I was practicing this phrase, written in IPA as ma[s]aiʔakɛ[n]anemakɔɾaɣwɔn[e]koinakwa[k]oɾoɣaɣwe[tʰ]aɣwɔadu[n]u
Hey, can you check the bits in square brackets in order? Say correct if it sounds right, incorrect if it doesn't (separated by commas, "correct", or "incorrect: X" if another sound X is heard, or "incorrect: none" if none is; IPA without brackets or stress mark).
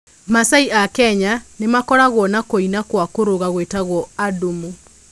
correct, incorrect: ɲ, incorrect: a, correct, incorrect: t, incorrect: m